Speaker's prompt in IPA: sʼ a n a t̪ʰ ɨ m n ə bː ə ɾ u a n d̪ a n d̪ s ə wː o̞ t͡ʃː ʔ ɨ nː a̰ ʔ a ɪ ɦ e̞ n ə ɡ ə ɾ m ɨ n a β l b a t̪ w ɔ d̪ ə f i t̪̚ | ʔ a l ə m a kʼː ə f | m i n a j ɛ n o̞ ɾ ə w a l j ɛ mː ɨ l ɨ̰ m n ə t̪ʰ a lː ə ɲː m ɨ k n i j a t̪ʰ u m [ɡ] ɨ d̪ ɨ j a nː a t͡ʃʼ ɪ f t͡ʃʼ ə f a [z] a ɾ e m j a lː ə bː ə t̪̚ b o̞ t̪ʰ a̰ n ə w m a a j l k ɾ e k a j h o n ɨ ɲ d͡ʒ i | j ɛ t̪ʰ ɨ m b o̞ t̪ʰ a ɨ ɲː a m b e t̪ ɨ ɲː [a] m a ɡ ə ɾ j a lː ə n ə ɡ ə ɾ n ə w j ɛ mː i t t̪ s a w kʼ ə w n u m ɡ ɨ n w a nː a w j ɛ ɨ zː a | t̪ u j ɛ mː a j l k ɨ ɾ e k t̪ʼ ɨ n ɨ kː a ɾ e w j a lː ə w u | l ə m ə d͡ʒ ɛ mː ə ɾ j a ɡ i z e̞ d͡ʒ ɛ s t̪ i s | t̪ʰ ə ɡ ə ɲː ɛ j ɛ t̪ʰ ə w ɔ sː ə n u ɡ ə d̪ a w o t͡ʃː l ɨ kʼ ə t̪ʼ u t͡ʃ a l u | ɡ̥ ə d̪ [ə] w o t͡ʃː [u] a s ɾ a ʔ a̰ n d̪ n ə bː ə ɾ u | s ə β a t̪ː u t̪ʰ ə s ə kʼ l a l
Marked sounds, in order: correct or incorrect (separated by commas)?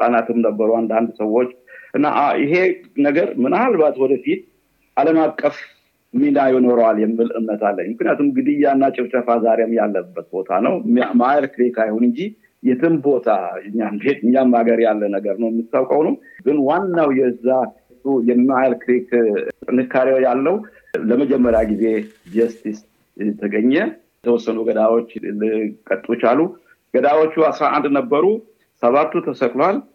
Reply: correct, correct, correct, incorrect, correct